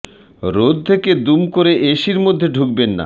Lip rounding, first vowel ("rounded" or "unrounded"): rounded